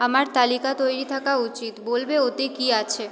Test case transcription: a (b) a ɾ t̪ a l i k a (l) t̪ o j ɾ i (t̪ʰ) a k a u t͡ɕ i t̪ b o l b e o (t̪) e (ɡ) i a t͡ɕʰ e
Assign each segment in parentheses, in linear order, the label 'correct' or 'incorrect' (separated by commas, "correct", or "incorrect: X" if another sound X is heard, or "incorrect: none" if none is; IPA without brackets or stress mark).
incorrect: m, incorrect: none, correct, correct, incorrect: k